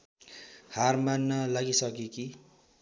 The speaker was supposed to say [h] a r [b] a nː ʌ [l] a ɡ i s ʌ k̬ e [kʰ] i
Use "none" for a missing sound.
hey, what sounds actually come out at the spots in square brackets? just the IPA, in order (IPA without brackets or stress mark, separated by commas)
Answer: h, m, l, k